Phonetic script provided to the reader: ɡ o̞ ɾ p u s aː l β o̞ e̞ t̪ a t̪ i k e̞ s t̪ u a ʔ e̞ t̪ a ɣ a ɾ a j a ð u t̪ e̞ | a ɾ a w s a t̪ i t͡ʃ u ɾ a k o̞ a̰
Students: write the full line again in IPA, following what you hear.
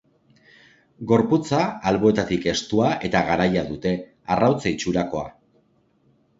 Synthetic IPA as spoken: ɡ o̞ ɾ p u t͡s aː l β o̞ e̞ t̪ a t̪ i k e̞ s t̪ u a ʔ e̞ t̪ a ɣ a ɾ a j a ð u t̪ e̞ | a r a w t͡s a i t͡ʃ u ɾ a k o̞ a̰